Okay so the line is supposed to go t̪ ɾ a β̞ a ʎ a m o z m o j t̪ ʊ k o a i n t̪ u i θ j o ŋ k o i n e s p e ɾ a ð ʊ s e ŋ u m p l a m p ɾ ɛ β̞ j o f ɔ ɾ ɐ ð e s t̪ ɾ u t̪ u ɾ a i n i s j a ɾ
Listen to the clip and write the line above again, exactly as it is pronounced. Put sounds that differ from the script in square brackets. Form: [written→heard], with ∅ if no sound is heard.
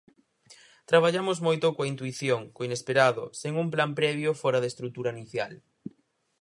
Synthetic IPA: t̪ ɾ a β̞ a ʎ a m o z m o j t̪ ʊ k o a i n t̪ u i θ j o ŋ k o i n e s p e ɾ a ð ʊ s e ŋ u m p l a m p ɾ ɛ β̞ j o f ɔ ɾ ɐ ð e s t̪ ɾ u t̪ u ɾ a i n i [s→θ] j a [ɾ→l]

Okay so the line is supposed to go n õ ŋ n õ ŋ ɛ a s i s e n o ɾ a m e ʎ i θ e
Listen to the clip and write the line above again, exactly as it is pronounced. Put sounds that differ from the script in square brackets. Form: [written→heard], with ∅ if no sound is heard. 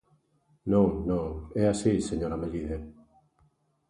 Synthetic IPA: n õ ŋ n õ ŋ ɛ a s i s e [n→ɲ] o ɾ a m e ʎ i [θ→ð] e

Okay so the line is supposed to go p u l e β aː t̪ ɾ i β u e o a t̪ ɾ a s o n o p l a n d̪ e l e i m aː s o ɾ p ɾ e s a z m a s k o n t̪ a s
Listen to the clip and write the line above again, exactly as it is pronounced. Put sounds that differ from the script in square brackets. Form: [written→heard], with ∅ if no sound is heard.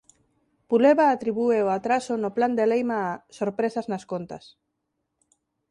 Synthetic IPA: p u l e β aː t̪ ɾ i β u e o a t̪ ɾ a s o n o p l a n d̪ e l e [i→j] m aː s o ɾ p ɾ e s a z [m→n] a s k o n t̪ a s

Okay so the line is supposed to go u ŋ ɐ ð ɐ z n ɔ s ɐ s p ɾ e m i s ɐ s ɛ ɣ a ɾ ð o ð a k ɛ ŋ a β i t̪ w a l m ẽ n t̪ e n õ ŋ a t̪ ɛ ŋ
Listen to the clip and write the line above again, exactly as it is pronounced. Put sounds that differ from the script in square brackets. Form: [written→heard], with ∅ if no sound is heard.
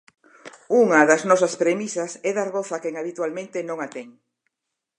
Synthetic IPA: u ŋ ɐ ð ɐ z n ɔ s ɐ s p ɾ e m i s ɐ s ɛ [ɣ→ð] a ɾ [ð→ɣ] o [ð→θ] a k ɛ ŋ a β i t̪ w a l m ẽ n t̪ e n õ ŋ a t̪ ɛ ŋ

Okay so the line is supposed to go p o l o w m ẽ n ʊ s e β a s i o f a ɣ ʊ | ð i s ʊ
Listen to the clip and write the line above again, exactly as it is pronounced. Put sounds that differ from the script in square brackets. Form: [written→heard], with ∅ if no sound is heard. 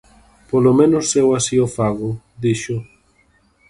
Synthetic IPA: p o l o [w→∅] m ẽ n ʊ s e [β→w] a s i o f a ɣ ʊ | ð i [s→ʃ] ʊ

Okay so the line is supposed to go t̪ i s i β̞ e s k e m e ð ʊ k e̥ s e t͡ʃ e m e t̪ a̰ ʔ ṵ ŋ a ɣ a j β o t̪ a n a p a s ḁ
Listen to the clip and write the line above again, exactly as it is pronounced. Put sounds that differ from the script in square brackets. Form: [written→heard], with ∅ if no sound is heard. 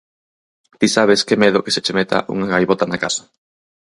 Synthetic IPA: t̪ i s [i→a] β̞ e s k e m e ð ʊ k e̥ s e t͡ʃ e m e t̪ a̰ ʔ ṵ ŋ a ɣ a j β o t̪ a n a [p→k] a s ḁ

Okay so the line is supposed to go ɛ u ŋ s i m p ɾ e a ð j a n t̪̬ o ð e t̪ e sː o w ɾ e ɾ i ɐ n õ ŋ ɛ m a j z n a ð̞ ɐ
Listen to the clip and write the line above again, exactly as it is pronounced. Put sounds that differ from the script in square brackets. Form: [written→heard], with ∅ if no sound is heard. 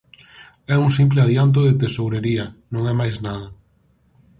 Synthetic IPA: ɛ u ŋ s i m p [ɾ→l] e a ð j a n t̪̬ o ð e t̪ e [sː→s] o w ɾ e ɾ i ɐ n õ ŋ ɛ m a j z n a ð̞ ɐ

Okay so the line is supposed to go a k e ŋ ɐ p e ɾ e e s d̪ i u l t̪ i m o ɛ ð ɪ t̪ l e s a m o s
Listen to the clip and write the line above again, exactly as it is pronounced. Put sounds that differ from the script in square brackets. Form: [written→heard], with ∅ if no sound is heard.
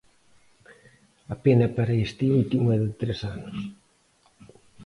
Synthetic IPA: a [k→p] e [ŋ→n] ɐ p [e→a] ɾ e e s [d̪→t̪] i u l t̪ i m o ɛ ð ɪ t̪ [l→ɾ] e s a [m→n] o s

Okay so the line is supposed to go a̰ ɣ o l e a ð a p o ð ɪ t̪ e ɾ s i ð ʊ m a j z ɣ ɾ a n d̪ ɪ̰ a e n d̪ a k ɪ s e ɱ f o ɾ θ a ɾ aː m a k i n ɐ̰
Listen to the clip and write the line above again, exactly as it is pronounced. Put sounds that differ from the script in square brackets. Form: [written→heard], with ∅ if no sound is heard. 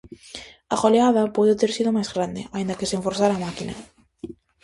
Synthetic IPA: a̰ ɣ o l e a ð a p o ð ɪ t̪ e ɾ s i ð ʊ m a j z ɣ ɾ a n d̪ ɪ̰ a [e→i] n d̪ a k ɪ s e ɱ f o ɾ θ a ɾ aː m a k i n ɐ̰

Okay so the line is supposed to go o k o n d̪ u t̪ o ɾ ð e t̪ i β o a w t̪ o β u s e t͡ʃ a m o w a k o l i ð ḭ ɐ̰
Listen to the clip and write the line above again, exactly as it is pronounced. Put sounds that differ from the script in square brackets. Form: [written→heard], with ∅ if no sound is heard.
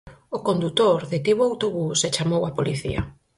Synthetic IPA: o k o n d̪ u t̪ o ɾ ð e t̪ i β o a w t̪ o β u s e t͡ʃ a m o w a [k→p] o l i [ð→θ] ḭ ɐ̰

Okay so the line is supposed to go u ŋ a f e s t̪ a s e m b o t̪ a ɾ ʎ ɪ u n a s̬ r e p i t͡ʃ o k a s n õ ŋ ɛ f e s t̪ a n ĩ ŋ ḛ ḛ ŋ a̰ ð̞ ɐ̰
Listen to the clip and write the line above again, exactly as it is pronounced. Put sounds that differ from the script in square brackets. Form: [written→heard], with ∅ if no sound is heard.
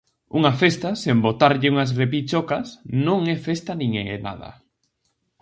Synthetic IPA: u ŋ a f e s t̪ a s e m b o t̪ a ɾ ʎ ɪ u [n→ŋ] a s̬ r e p i t͡ʃ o k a s n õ ŋ ɛ f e s t̪ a n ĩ ŋ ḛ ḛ [ŋ→n] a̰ ð̞ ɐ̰

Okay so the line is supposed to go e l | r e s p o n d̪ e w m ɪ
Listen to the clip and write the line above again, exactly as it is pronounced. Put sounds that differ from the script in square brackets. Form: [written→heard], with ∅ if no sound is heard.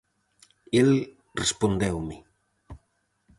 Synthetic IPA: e l | r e s p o n d̪ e w m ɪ

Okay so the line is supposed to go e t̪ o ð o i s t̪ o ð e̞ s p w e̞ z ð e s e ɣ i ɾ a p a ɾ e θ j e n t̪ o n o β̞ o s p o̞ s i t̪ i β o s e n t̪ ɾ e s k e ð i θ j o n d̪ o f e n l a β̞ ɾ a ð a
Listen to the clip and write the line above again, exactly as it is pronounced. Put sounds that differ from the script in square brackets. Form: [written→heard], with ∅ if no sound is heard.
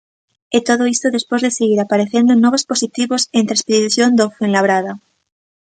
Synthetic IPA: e t̪ o ð o i s t̪ o ð e̞ s p w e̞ z ð e s e ɣ i ɾ a p a ɾ e θ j e n [t̪→d̪] o n o β̞ o s p o̞ s i t̪ i β o s e n t̪ ɾ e s [k→p] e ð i θ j o n d̪ o f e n l a β̞ ɾ a ð a

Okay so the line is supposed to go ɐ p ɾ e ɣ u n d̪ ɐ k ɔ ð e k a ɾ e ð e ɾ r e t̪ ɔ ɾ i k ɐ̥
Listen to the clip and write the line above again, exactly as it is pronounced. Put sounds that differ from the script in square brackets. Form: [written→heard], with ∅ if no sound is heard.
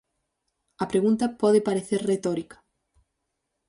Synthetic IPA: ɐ p ɾ e ɣ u n [d̪→t̪] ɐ [k→p] ɔ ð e [k→p] a ɾ e [ð→θ] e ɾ r e t̪ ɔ ɾ i k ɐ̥

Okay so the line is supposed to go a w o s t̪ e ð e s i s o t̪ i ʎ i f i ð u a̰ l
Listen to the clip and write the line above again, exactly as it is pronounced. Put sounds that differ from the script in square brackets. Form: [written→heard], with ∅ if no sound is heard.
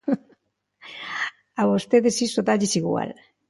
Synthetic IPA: a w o s t̪ e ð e s i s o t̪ [i→a] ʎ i [f→s] i [ð→ɣ] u a̰ l

